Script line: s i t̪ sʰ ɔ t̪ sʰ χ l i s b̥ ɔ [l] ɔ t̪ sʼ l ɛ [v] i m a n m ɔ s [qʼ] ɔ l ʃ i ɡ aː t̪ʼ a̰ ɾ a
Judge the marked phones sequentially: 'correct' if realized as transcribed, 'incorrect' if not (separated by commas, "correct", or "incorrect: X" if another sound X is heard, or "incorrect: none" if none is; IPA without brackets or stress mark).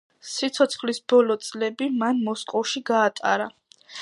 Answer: correct, incorrect: b, incorrect: kʼ